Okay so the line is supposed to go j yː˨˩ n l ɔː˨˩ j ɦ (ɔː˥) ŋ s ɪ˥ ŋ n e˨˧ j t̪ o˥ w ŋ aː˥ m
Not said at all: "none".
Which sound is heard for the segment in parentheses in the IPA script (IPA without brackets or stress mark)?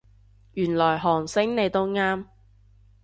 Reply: ɔː˨˩